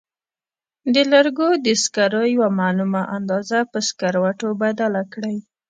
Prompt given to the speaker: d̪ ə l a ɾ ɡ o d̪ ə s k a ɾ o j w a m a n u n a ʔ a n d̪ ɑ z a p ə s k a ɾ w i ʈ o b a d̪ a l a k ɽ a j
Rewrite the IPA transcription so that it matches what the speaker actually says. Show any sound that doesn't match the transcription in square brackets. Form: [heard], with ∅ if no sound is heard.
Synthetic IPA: d̪ ə l a ɾ ɡ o d̪ ə s k a ɾ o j w a m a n u [m] a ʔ a n d̪ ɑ z a p ə s k a ɾ w [a] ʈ o b a d̪ a l a k ɽ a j

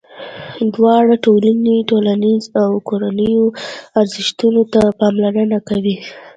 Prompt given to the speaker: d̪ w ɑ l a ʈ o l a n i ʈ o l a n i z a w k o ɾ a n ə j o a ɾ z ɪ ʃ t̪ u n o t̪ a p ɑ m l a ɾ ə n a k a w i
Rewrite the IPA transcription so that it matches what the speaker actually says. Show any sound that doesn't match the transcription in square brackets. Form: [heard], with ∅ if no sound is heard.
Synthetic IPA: d̪ w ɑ [ɽ] a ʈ o l a n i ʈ o l a n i z a w k o ɾ a n ə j o a ɾ z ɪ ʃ t̪ u n o t̪ a p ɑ m l a ɾ ə n a k a w i

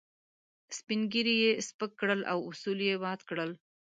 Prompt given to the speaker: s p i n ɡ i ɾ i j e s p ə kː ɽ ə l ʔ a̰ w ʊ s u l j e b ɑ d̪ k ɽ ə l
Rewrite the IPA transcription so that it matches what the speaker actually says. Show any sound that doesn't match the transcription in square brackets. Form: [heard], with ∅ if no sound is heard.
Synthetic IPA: s p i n ɡ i ɾ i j e s p ə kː ɽ ə l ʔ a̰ w ʊ s u l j e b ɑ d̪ k ɽ ə l

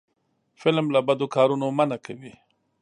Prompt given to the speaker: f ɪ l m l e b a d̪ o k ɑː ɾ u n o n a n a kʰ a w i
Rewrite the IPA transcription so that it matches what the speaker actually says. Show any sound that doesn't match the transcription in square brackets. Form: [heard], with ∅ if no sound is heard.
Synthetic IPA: f ɪ l m l [a] b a d̪ o k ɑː ɾ u n o [m] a n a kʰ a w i

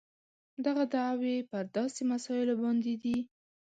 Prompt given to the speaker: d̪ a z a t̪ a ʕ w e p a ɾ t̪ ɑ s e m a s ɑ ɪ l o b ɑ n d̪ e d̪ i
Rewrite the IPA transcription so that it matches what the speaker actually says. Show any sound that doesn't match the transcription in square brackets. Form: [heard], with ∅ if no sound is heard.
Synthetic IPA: d̪ a [ɣ] a [d̪] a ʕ w e p [ə] ɾ [d̪] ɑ s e m a s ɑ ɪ l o b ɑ n d̪ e d̪ i

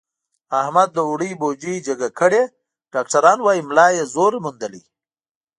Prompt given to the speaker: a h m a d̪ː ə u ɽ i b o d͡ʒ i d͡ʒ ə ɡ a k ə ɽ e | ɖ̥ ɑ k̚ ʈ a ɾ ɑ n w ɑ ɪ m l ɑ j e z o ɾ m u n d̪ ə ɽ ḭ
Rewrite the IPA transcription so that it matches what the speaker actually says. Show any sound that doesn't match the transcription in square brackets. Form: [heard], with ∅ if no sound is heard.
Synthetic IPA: a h m a d̪ː ə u ɽ i b o d͡ʒ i d͡ʒ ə ɡ a k ə ɽ e | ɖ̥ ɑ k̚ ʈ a ɾ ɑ n w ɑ [i] m l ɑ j e z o ɾ m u n d̪ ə [l] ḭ

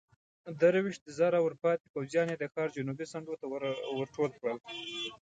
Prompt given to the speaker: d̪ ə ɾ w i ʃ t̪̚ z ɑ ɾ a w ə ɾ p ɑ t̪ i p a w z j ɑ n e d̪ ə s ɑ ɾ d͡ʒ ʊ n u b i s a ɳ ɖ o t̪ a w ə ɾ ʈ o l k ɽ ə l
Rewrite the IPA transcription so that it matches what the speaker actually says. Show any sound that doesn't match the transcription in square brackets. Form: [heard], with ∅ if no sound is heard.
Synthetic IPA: d̪ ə ɾ w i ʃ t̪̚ z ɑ ɾ a w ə ɾ p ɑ t̪ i p a w z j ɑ n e d̪ ə [x] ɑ ɾ d͡ʒ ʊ n u b i s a ɳ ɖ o t̪ a w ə ɾ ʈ o l k ɽ ə l

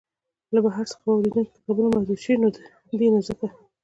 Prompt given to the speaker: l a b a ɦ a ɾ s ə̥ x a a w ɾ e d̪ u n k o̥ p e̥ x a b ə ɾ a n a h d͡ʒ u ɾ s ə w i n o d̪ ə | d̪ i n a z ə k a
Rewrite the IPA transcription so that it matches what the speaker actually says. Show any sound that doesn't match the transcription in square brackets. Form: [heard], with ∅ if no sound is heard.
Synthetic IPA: l a b a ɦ a ɾ s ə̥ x a a w ɾ e d̪ u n k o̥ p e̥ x a b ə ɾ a [m] a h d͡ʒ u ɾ [ʃ] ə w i n o d̪ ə | d̪ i n a z ə k a

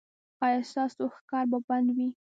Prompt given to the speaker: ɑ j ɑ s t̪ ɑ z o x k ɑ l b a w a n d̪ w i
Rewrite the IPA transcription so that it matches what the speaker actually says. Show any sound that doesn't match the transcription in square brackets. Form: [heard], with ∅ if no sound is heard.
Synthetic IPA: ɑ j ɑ s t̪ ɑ [s] o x k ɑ [ɾ] b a [b] a n d̪ w i

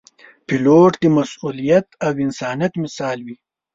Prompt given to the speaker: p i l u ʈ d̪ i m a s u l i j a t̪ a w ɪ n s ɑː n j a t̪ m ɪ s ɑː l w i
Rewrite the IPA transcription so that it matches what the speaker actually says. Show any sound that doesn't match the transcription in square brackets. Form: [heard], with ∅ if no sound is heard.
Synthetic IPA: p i l [o] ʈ d̪ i m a s u l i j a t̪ a w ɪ n s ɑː n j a t̪ m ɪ s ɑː l w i

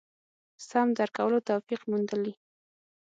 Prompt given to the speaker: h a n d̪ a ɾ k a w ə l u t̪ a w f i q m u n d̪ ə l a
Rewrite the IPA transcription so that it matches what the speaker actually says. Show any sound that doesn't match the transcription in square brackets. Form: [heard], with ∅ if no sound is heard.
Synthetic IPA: [s] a [m] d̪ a ɾ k a w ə l [o] t̪ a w f i q m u n d̪ ə l [i]

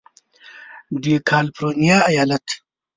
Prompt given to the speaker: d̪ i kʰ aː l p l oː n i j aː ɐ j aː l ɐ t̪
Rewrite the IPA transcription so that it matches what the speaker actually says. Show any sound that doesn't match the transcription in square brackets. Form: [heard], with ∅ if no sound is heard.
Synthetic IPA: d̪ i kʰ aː l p [ɾ] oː n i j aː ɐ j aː l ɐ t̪

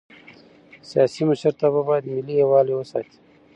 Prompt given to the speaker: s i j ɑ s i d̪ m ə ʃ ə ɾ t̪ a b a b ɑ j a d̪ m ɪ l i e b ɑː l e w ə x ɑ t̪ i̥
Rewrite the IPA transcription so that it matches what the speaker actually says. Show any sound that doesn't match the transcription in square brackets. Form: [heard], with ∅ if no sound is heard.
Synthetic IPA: s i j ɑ s i [∅] m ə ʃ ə ɾ t̪ a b a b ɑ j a d̪ m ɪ l i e [w] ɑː l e w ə [s] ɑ t̪ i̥

